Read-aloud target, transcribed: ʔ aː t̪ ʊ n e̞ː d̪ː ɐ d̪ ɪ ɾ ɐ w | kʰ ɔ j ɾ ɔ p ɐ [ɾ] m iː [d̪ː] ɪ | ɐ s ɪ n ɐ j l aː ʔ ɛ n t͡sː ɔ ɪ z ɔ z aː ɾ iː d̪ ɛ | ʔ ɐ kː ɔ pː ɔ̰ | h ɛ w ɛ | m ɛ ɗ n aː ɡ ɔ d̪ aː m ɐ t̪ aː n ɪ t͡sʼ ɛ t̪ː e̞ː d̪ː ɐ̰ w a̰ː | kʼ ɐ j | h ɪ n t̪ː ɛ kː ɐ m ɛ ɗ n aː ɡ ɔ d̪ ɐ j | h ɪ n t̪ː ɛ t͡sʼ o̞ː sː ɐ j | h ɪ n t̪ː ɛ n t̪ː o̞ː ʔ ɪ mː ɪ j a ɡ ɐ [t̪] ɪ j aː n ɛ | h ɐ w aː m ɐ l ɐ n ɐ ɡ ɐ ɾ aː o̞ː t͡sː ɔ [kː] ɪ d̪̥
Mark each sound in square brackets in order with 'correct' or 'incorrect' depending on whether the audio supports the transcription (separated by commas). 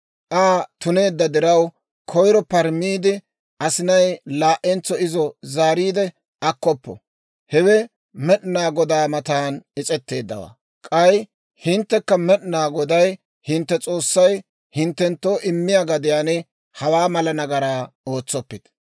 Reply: correct, incorrect, incorrect, incorrect